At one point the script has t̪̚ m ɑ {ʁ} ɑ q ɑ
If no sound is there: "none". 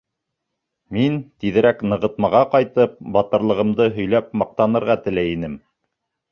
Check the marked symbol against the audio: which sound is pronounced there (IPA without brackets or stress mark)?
ʁ